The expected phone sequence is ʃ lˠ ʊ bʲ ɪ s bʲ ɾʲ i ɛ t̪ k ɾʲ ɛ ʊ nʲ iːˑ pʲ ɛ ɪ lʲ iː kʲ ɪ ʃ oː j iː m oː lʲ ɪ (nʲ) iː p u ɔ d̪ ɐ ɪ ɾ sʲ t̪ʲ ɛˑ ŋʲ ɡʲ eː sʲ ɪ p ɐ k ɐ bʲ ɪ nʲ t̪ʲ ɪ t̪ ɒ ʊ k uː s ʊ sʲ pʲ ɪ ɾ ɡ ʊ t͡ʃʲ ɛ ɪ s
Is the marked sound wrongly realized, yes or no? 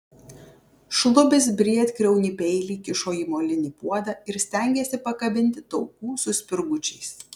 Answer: no